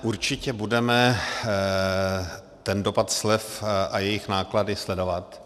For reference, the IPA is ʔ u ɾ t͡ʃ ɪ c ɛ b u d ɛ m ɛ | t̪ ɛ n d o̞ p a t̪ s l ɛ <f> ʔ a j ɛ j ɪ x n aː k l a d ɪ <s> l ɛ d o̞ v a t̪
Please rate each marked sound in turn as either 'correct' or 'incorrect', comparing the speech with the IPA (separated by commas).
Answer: correct, correct